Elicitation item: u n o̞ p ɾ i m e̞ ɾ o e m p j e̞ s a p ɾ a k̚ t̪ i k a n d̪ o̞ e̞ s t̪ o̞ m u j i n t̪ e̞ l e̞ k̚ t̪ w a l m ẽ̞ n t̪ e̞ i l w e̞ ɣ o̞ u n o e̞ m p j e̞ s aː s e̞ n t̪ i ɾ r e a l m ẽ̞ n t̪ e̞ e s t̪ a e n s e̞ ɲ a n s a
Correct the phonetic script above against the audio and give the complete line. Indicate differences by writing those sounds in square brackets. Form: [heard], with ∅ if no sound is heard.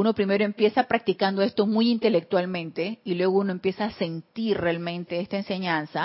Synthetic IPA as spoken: u n o̞ p ɾ i m e̞ ɾ o e m p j e̞ s a p ɾ a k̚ t̪ i k a n d̪ o̞ e̞ s t̪ o̞ m u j i n t̪ e̞ l e̞ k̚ t̪ w a l m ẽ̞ n t̪ e̞ i l w e̞ ɣ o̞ u n o e̞ m p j e̞ s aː s e̞ n t̪ i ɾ r e a l m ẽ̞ n t̪ e̞ e s t̪ a e n s e̞ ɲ a n s a